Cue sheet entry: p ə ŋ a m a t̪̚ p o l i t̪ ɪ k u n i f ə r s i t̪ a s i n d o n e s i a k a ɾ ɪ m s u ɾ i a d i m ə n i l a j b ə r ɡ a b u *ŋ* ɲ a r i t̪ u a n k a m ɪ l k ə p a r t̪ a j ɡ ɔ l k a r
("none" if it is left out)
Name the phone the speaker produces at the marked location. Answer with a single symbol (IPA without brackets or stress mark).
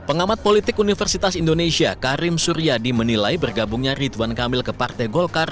ŋ